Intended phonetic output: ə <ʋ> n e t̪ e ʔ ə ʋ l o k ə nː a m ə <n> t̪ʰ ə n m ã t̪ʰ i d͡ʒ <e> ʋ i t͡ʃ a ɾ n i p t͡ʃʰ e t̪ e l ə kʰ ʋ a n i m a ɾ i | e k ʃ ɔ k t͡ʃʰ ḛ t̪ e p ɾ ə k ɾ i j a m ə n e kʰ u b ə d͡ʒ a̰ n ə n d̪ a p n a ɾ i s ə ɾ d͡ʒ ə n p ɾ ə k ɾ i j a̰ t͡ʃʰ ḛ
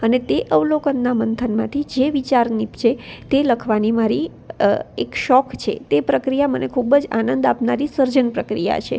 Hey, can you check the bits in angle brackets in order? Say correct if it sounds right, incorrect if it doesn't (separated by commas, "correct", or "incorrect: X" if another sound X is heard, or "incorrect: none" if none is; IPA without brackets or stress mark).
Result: incorrect: none, correct, correct